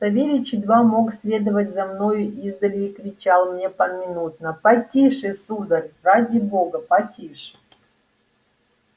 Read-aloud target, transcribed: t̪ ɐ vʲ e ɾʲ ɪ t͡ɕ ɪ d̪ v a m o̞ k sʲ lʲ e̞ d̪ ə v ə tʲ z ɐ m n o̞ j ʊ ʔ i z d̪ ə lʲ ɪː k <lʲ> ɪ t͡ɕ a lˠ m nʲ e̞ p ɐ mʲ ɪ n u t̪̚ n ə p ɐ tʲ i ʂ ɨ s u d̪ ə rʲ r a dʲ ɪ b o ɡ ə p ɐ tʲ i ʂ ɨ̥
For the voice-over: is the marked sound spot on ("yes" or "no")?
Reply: no